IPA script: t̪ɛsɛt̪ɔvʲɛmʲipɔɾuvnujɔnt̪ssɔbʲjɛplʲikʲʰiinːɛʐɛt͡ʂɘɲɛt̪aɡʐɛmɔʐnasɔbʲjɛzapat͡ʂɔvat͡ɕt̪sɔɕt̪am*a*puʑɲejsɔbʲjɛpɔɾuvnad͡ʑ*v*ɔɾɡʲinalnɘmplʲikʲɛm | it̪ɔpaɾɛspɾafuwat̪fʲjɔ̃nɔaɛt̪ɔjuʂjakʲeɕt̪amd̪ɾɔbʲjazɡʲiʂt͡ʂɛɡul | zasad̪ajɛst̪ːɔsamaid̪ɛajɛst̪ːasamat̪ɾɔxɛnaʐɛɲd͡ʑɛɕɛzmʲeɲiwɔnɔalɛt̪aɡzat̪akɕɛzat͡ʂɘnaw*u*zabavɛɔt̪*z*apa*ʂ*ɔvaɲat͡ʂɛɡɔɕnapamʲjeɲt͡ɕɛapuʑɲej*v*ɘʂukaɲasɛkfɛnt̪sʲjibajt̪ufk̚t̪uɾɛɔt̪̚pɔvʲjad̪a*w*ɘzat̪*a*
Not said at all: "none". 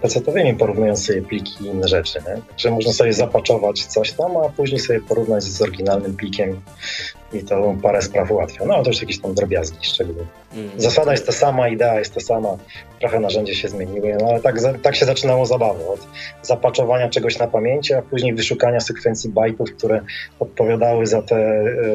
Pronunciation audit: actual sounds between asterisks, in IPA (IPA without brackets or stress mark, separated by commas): a, z, ɔ, z, t͡ʂ, v, w, ɛ